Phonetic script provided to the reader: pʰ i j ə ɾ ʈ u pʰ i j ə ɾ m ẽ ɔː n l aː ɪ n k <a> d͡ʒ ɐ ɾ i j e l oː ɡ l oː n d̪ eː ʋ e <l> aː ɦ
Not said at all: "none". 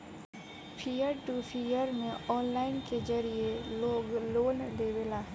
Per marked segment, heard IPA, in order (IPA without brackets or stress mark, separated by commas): e, l